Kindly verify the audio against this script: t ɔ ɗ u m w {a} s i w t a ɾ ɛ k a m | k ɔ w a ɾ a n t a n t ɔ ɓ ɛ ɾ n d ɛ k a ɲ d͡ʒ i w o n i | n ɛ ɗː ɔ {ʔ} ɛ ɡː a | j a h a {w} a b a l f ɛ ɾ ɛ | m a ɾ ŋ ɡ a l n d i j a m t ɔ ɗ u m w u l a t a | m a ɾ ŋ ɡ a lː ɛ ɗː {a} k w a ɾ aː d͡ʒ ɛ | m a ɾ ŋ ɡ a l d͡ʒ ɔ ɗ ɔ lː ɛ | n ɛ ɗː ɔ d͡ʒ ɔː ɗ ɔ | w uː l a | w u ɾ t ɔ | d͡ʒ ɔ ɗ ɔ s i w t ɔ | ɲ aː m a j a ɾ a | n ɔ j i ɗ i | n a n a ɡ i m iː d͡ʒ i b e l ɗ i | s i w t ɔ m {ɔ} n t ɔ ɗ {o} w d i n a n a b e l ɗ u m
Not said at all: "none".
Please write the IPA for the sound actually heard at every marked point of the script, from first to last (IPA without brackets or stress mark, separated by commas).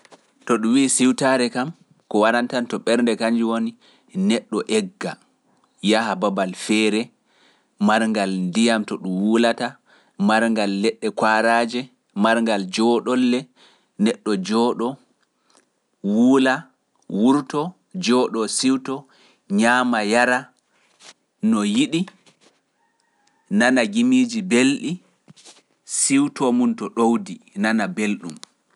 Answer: i, ʔ, b, ɛ, u, o